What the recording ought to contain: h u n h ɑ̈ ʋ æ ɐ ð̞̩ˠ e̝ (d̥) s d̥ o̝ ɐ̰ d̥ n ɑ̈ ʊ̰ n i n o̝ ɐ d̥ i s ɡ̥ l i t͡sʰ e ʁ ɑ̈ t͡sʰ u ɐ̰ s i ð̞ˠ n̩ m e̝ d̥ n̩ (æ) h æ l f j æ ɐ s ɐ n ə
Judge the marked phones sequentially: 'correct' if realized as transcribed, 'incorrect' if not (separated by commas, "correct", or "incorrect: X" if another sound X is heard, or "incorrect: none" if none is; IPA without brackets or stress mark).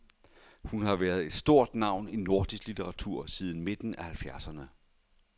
correct, correct